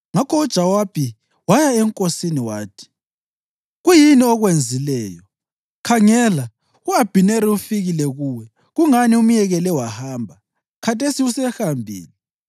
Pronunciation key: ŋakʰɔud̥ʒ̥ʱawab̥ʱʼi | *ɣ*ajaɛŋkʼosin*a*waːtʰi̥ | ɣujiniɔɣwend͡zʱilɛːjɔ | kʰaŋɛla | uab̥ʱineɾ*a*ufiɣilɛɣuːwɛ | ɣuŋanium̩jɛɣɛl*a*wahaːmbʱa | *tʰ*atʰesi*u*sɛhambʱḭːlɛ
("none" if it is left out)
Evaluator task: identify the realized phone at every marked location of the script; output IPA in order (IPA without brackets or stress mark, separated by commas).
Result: w, i, i, ɛ, kʰ, u